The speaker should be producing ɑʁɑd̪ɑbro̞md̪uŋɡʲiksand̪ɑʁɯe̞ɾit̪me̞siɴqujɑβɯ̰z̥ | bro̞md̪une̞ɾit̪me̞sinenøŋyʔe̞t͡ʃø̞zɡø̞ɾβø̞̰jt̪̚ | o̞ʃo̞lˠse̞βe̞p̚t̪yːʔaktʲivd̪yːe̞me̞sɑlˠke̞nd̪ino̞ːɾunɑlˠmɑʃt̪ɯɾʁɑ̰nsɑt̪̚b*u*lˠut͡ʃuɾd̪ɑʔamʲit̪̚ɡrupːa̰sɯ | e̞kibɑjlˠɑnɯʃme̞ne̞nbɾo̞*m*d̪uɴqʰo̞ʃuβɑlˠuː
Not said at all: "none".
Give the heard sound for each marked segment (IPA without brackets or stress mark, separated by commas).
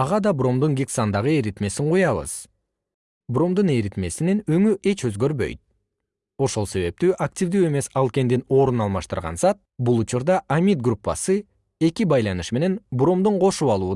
u, m